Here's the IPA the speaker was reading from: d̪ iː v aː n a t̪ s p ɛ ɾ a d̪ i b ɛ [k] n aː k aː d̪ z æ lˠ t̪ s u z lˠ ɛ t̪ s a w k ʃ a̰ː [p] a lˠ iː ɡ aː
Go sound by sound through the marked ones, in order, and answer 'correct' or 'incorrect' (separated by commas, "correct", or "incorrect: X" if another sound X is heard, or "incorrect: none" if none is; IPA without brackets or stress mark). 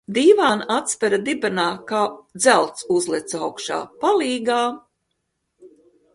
incorrect: none, correct